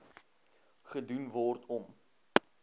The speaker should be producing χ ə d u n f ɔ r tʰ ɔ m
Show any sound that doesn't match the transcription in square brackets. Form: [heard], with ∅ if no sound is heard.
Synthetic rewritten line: χ ə d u n [v] ɔ r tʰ ɔ m